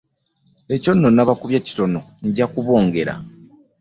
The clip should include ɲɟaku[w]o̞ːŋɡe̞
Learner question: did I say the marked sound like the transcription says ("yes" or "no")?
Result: no